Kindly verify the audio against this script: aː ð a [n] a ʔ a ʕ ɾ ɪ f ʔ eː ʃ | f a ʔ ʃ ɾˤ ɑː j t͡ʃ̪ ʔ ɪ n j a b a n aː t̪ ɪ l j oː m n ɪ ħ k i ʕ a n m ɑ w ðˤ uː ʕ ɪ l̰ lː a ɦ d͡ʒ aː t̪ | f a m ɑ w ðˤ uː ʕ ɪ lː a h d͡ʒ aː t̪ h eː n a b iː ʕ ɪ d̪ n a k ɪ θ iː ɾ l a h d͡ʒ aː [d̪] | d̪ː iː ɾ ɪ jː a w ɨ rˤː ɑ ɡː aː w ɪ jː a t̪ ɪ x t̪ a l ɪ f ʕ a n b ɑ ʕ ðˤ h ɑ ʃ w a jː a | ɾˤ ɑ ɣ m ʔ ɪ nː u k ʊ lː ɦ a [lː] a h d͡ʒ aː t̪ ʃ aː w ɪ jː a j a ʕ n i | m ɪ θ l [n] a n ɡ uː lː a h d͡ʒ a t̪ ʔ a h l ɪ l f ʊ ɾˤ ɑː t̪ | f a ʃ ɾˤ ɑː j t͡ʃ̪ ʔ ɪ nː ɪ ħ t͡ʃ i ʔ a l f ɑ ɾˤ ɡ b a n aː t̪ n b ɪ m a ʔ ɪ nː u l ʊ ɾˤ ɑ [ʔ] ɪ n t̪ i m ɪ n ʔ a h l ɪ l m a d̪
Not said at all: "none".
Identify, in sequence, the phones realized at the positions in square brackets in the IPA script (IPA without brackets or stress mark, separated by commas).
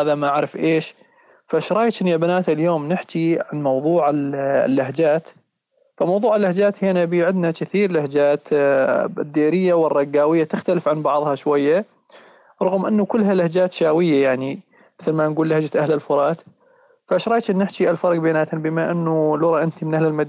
m, t̪, l, m, ʔ